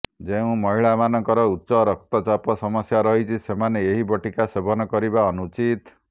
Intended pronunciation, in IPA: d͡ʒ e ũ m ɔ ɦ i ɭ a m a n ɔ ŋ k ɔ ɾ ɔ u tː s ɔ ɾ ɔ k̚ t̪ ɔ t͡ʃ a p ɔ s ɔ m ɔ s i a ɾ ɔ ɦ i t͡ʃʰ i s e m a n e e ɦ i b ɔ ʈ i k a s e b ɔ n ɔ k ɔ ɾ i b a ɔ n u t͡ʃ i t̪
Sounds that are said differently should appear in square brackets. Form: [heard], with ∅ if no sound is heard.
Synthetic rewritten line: d͡ʒ e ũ m ɔ ɦ i ɭ a m a n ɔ ŋ k ɔ ɾ ɔ u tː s ɔ ɾ ɔ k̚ t̪ ɔ t͡ʃ a p ɔ s ɔ m ɔ s [j] a ɾ ɔ ɦ i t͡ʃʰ i s e m a n e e ɦ i b ɔ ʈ i k a s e b ɔ n ɔ k ɔ ɾ i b a ɔ n u t͡ʃ i t̪